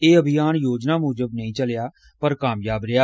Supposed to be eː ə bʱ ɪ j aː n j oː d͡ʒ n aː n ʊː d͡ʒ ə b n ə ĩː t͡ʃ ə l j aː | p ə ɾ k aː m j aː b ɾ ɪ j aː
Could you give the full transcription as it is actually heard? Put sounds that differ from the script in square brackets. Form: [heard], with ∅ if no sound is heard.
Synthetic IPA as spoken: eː ə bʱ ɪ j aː n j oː d͡ʒ n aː [m] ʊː d͡ʒ ə b n ə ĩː t͡ʃ ə l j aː | p ə ɾ k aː m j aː b ɾ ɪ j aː